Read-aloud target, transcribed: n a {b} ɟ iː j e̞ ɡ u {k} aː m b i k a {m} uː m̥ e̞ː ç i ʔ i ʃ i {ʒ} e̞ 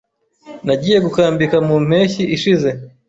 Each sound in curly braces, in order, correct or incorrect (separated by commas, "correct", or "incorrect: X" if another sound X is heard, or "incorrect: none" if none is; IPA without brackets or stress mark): incorrect: none, correct, correct, incorrect: z